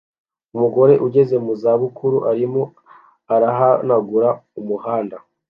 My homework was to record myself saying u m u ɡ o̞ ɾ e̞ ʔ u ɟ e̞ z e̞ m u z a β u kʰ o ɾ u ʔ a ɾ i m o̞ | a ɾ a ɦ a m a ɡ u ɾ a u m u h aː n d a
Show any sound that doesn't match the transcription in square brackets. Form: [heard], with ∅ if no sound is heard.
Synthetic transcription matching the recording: u m u ɡ o̞ ɾ e̞ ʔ u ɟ e̞ z e̞ m u z a β u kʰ [u] ɾ u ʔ a ɾ i m o̞ | a ɾ a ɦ a [n] a ɡ u ɾ a u m u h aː n d a